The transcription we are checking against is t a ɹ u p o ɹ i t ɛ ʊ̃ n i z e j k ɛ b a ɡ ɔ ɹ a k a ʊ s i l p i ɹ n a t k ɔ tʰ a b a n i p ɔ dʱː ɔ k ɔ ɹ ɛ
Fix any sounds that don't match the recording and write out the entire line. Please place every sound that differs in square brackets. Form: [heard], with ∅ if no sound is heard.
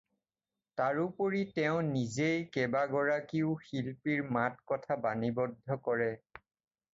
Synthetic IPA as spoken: t a ɹ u p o ɹ i t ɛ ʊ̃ n i z e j k ɛ b a ɡ ɔ ɹ a k [i] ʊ [x] i l p i ɹ [m] a t k ɔ tʰ a b a n i [b] ɔ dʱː ɔ k ɔ ɹ ɛ